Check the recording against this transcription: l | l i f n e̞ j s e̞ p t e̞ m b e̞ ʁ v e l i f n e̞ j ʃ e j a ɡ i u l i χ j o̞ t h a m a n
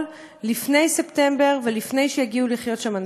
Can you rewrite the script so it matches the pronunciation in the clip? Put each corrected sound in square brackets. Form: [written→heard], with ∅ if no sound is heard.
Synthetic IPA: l | l i f n e̞ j s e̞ p t e̞ m b e̞ ʁ v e l i f n e̞ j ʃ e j a ɡ i u l i χ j o̞ t [h→ʃ] a m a n